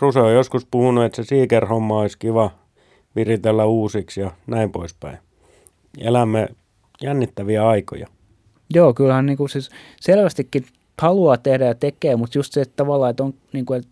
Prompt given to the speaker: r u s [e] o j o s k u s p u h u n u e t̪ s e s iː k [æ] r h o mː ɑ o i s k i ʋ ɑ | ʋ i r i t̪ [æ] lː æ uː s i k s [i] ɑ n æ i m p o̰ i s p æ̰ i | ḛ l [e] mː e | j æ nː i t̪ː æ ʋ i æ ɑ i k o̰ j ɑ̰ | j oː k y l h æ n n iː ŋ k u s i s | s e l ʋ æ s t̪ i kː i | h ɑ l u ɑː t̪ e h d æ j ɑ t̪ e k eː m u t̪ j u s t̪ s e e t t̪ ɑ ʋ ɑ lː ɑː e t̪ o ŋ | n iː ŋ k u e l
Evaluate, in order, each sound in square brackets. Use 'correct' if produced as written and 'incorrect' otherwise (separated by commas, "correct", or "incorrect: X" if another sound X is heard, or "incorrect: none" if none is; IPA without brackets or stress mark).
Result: correct, incorrect: e, incorrect: e, incorrect: j, incorrect: æ